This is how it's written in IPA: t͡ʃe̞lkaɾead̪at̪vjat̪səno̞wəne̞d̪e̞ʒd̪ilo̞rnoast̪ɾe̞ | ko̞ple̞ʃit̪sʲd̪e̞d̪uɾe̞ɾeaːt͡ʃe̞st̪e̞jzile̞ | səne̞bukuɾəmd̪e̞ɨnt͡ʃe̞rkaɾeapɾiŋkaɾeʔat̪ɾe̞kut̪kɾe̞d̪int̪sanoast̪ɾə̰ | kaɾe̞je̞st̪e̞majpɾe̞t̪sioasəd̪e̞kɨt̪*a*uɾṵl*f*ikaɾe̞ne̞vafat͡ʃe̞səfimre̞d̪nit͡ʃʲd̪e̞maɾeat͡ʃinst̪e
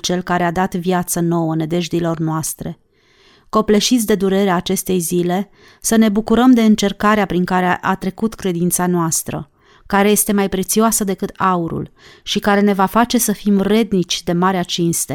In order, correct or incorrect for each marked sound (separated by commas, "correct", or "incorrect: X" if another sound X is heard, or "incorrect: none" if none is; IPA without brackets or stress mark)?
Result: correct, incorrect: ʃ